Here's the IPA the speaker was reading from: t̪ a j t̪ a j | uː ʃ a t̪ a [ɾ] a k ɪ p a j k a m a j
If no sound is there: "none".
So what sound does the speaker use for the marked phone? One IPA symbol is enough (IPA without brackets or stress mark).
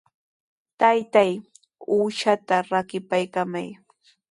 ɾ